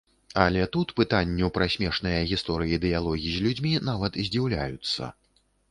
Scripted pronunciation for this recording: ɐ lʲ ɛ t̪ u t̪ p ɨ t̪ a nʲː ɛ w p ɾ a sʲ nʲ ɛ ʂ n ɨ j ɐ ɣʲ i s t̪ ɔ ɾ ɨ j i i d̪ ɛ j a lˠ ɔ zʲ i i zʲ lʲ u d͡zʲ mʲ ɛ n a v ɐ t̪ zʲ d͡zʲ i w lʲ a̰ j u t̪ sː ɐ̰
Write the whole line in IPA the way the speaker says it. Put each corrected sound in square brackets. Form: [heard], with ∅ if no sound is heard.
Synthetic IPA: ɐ lʲ ɛ t̪ u t̪ p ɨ t̪ a nʲː ɛ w p ɾ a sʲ [mʲ] ɛ ʂ n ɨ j ɐ ɣʲ i s t̪ ɔ ɾ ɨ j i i d̪ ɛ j a lˠ ɔ [ɣʲ] i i zʲ lʲ u d͡zʲ mʲ [i] n a v ɐ t̪ zʲ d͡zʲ i w lʲ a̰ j u t̪ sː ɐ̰